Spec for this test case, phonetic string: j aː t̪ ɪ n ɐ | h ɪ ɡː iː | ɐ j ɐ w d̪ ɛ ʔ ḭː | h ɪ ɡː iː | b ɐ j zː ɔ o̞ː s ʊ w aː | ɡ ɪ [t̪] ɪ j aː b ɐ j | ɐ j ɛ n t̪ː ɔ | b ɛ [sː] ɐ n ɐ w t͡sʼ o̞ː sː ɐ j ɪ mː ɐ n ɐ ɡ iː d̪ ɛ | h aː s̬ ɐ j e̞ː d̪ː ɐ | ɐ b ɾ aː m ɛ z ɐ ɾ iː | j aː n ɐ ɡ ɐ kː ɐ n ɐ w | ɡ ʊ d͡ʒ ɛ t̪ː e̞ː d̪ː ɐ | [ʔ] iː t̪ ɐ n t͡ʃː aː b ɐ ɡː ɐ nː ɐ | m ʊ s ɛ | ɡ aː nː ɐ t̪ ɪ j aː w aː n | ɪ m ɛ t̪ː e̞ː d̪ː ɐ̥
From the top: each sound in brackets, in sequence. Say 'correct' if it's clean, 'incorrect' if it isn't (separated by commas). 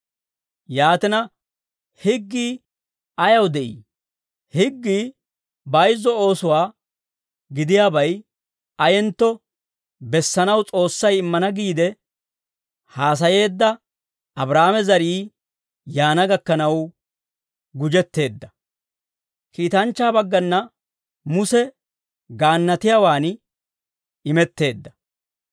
incorrect, correct, incorrect